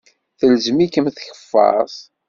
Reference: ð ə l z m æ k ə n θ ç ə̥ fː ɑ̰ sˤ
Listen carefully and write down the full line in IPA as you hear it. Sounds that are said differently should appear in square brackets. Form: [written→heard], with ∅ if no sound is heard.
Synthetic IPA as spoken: [ð→θ] ə l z m [æ→i] k ə [n→m] θ ç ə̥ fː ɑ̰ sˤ